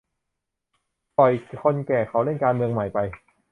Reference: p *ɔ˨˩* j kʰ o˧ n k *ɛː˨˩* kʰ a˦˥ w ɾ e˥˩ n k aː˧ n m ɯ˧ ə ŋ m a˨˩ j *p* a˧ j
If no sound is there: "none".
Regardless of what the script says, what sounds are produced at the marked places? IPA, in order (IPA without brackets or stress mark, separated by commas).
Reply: ɔ˨˩, ɛː˨˩, p